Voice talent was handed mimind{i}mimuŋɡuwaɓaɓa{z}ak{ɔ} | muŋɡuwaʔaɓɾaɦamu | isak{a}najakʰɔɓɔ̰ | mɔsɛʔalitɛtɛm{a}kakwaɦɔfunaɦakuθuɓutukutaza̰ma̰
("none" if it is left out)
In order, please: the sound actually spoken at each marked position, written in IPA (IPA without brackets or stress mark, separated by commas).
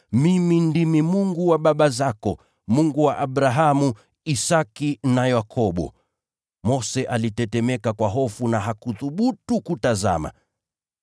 i, z, ɔ, i, ɛ